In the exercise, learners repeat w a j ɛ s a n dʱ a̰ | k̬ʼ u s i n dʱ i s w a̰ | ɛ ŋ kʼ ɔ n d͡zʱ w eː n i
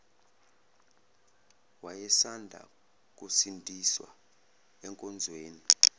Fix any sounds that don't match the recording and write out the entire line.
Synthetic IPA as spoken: w a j ɛ s a n dʱ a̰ | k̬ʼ u s i n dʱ i s w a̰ | ɛ ŋ kʼ ɔ n d͡zʱ w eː n i